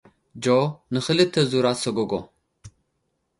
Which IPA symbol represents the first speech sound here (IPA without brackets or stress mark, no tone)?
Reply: d͡ʒ